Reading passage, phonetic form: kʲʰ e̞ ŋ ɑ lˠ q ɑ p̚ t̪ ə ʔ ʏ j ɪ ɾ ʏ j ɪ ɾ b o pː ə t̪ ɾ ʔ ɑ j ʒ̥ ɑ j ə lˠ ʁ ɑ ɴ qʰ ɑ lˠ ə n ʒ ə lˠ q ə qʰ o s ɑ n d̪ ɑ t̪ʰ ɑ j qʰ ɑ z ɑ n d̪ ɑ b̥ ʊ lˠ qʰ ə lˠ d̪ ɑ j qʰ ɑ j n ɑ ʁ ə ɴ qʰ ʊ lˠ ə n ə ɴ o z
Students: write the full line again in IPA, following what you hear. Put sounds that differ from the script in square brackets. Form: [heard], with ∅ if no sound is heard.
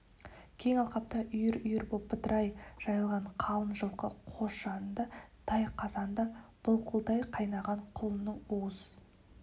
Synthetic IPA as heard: kʲʰ e̞ ŋ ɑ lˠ q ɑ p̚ t̪ [ɑ] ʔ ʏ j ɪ ɾ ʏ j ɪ ɾ b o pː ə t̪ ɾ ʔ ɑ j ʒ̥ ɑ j ə lˠ ʁ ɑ ɴ qʰ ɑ lˠ ə n ʒ ə lˠ q ə qʰ o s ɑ n d̪ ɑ t̪ʰ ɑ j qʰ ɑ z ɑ n d̪ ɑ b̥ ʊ lˠ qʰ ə lˠ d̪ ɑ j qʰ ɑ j n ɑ ʁ [ɑ] ɴ qʰ ʊ lˠ ə n ə ɴ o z